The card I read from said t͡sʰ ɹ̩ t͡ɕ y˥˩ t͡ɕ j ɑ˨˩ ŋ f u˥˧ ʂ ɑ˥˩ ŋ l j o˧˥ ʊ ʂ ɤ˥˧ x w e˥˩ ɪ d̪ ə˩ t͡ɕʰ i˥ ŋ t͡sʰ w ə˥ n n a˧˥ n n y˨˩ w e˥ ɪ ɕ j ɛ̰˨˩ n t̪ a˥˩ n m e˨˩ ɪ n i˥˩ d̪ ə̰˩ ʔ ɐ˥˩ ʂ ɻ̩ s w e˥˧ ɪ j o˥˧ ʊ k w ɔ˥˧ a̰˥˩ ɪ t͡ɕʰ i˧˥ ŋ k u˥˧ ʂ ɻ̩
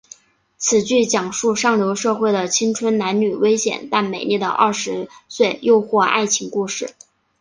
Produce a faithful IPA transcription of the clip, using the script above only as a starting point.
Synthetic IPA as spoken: t͡sʰ ɹ̩ t͡ɕ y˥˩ t͡ɕ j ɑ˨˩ ŋ ʂ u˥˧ ʂ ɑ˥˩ ŋ l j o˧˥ ʊ ʂ ɤ˥˧ x w e˥˩ ɪ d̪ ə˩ t͡ɕʰ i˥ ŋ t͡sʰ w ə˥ n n a˧˥ n n y˨˩ w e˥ ɪ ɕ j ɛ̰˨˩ n t̪ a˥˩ n m e˨˩ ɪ n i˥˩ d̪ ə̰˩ ʔ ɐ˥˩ ʂ ɻ̩ s w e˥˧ ɪ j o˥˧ ʊ x w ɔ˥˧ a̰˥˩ ɪ t͡ɕʰ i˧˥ ŋ k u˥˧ ʂ ɻ̩